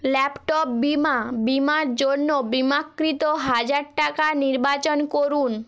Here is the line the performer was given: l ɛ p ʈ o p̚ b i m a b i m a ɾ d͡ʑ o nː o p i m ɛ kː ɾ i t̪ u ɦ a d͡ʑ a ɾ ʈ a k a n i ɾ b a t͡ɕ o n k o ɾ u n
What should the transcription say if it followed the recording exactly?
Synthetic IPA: l ɛ p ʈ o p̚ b i m a b i m a ɾ d͡ʑ o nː o b i m a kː ɾ i t̪ o ɦ a d͡ʑ a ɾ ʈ a k a n i ɾ b a t͡ɕ o n k o ɾ u n